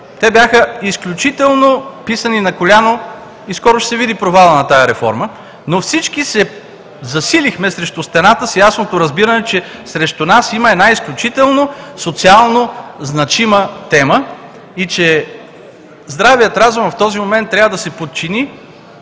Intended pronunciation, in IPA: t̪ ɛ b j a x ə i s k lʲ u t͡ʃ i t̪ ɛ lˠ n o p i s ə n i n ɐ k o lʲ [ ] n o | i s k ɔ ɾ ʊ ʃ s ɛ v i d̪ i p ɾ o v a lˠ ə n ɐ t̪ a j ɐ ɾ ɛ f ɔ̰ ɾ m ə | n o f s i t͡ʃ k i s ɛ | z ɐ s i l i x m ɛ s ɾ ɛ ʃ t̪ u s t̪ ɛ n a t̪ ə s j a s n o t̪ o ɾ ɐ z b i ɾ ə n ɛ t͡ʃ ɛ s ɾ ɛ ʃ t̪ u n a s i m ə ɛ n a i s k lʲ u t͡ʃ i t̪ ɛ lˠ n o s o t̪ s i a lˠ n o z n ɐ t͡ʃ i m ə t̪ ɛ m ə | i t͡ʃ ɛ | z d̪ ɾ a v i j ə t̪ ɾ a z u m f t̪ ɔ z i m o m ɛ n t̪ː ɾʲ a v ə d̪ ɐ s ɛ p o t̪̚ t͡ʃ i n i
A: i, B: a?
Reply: B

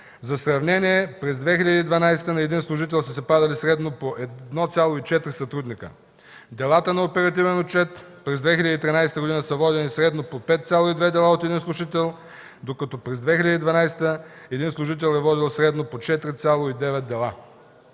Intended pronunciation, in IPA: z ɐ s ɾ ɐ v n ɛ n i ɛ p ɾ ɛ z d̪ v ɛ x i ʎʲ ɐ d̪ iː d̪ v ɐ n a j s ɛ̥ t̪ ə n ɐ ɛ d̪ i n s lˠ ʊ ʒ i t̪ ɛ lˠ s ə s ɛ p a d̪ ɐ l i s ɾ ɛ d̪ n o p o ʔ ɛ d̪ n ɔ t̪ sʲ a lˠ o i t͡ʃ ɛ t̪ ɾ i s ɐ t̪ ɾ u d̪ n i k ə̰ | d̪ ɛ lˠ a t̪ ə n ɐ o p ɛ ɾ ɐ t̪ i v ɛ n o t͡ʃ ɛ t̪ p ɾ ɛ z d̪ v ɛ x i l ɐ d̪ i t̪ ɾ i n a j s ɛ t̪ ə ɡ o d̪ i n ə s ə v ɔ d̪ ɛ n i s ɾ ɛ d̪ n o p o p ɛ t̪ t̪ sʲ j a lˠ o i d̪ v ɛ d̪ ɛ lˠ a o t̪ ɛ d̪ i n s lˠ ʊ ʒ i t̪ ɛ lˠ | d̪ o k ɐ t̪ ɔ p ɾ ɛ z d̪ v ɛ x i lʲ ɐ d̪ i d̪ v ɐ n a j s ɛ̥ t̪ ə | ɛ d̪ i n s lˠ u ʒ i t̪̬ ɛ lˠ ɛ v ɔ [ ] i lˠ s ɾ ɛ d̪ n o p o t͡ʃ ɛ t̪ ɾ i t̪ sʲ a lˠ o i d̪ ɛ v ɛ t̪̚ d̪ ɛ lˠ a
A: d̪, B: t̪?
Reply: A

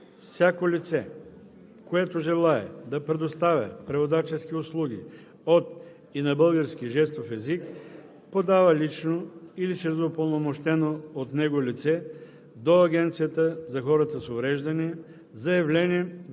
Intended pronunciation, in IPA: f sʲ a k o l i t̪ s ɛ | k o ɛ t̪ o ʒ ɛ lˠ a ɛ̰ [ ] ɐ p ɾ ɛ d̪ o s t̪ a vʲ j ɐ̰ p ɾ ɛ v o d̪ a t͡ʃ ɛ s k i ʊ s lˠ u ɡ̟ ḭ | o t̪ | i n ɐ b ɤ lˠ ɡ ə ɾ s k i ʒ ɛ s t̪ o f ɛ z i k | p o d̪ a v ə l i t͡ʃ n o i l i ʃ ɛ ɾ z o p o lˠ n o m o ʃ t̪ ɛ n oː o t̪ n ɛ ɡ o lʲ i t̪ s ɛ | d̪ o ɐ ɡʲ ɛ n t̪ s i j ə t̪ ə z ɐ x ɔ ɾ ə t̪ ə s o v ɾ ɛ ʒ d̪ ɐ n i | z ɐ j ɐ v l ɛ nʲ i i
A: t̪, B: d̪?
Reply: B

